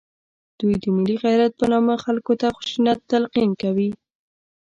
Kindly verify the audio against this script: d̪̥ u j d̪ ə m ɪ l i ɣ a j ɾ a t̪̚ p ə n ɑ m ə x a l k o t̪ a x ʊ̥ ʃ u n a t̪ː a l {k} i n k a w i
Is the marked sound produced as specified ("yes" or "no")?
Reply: no